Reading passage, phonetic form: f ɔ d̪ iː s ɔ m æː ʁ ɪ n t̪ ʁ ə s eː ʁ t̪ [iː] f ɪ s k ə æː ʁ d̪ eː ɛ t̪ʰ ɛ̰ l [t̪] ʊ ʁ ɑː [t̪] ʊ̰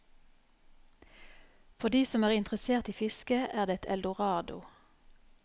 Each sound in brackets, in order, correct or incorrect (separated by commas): correct, incorrect, incorrect